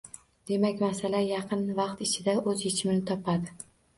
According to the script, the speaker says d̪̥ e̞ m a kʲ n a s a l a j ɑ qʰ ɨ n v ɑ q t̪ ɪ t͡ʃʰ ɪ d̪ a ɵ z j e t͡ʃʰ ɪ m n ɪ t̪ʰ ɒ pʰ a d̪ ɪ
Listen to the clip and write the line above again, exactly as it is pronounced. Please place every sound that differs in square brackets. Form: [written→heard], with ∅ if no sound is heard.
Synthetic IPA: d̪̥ e̞ m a kʲ [n→m] a s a l a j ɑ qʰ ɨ n v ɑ q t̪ ɪ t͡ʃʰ ɪ d̪ a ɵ z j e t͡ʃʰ ɪ m n ɪ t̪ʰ ɒ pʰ a d̪ ɪ